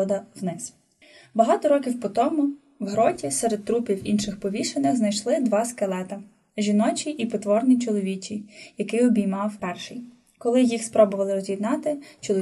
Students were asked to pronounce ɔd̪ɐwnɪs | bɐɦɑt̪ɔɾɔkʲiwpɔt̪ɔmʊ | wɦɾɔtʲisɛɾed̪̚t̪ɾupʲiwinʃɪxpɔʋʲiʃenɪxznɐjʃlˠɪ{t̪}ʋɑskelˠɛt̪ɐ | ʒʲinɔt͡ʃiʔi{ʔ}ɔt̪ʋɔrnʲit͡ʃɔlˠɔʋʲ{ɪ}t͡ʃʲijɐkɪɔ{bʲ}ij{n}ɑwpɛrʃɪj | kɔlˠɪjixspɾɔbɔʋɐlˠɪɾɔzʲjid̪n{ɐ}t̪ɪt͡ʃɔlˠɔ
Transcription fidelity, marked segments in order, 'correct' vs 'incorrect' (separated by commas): incorrect, incorrect, incorrect, correct, incorrect, incorrect